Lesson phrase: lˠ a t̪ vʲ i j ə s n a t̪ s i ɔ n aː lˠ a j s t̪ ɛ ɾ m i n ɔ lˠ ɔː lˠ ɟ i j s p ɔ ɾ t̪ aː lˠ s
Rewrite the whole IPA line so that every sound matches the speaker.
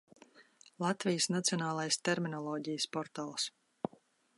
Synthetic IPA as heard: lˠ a t̪ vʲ i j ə s n a t̪ s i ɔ n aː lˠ a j s t̪ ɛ ɾ m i n ɔ lˠ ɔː ɟ i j s p ɔ ɾ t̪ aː lˠ s